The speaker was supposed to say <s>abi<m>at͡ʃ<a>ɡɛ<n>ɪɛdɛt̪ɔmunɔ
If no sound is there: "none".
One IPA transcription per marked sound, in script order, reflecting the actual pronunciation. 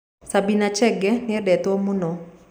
s, n, ɛ, n

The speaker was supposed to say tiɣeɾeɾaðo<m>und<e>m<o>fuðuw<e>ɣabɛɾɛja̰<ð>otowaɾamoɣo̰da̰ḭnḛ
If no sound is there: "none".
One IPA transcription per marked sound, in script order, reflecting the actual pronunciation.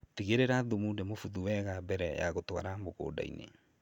m, e, o, ɛ, ɣ

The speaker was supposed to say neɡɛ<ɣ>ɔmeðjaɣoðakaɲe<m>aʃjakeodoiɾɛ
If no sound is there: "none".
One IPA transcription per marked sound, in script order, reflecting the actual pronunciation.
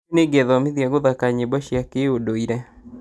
ð, b

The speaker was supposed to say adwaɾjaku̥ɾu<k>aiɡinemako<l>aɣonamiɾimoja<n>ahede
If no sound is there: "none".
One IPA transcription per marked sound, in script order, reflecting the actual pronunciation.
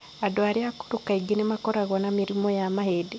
k, ɾ, m

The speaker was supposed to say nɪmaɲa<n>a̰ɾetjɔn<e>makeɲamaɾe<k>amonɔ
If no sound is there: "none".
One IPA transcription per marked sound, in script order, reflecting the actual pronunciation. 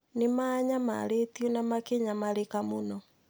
m, a, k

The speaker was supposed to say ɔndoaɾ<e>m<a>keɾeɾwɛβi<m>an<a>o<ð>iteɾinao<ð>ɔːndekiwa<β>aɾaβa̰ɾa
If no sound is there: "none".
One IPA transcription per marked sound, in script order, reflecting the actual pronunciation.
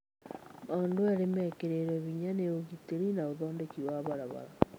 e, ɛ, ɲ, e, ɣ, ð, β

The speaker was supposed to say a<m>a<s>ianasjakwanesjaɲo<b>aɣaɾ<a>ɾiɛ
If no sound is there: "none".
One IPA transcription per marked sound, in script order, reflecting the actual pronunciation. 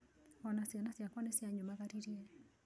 n, s, m, i

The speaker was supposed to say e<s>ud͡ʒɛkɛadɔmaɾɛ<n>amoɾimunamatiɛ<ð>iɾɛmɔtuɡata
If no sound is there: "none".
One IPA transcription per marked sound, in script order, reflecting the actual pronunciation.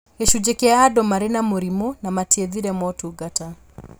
ʃ, n, ð

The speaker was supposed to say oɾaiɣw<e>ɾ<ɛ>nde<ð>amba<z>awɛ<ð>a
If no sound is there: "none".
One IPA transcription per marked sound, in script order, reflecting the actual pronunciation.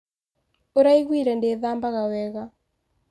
i, ɛ, ð, ɣ, ɣ

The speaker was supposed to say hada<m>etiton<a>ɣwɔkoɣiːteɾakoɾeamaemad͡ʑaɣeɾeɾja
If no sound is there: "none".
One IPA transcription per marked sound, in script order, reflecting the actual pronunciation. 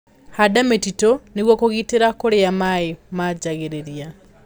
m, e

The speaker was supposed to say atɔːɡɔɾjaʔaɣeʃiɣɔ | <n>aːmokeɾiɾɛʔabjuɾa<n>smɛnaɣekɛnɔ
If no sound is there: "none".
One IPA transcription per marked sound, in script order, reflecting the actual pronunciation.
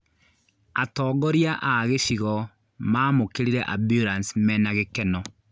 m, n

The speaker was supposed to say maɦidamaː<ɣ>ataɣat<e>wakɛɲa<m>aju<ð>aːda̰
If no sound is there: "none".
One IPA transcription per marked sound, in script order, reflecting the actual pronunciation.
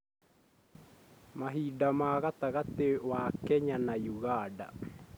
ɣ, e, n, ɣ

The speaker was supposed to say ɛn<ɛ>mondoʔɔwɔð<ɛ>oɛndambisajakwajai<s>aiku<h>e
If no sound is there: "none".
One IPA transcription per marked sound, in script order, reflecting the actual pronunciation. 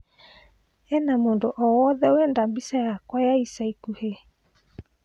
a, ɛ, s, h

